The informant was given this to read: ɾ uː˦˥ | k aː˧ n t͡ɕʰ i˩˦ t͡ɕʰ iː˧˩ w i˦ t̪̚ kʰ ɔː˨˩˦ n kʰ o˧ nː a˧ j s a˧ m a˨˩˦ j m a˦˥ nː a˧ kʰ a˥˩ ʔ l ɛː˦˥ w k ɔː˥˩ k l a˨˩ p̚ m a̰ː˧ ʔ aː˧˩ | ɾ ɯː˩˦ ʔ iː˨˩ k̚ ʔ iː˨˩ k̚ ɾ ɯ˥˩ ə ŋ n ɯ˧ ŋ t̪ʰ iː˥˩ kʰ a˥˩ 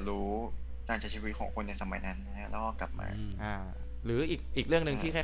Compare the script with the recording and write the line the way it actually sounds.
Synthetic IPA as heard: ɾ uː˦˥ | k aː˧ n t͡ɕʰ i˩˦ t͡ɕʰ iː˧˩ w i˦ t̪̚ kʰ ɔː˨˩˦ ŋ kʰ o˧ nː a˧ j s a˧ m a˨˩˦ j n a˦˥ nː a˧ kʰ a˦˥ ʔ l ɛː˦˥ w k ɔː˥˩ k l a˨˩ p̚ m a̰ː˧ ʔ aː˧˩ | ɾ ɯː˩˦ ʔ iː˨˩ k̚ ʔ iː˨˩ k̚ ɾ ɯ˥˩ ə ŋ n ɯ˧ ŋ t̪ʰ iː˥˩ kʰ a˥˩